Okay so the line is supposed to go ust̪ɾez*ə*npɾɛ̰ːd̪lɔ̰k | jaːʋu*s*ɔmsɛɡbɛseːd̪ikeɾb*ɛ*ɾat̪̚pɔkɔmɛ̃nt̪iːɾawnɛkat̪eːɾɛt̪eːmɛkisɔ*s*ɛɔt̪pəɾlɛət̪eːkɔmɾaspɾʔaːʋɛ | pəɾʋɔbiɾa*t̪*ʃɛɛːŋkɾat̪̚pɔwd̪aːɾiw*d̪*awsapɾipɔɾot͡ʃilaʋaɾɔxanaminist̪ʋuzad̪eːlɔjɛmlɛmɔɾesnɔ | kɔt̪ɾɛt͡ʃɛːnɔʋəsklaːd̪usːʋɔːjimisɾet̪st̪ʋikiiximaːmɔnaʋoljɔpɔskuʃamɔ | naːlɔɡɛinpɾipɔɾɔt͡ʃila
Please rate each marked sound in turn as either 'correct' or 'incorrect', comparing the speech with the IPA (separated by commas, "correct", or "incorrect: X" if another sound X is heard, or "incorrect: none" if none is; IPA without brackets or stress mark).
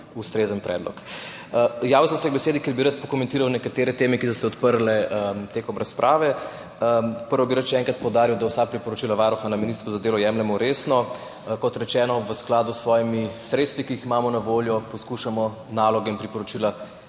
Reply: correct, correct, incorrect: i, correct, correct, correct